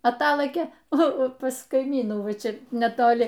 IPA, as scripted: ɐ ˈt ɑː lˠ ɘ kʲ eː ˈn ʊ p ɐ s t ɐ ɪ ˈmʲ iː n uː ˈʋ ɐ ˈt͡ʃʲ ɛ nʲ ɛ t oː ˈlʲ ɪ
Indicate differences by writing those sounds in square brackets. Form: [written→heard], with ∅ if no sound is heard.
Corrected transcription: ɐ ˈt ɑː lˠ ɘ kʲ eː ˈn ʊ p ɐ s [t→k] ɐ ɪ ˈmʲ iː n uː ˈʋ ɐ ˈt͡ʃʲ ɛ nʲ ɛ t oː ˈlʲ ɪ